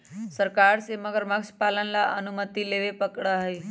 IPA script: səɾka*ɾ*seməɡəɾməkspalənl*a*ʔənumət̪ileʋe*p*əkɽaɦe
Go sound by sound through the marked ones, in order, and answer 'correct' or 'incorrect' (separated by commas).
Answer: correct, correct, correct